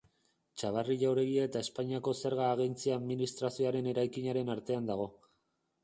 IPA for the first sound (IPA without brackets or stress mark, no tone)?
t͡ʃ